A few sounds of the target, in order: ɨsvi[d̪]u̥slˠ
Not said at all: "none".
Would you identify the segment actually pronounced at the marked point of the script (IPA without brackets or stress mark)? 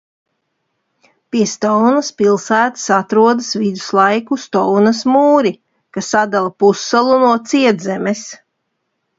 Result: d̪